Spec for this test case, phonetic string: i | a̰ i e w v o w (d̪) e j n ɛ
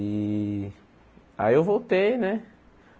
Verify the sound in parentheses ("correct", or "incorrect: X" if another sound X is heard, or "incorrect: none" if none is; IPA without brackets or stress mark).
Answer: incorrect: t̪